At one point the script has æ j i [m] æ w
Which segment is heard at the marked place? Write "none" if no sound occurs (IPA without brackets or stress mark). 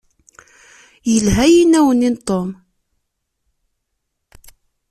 n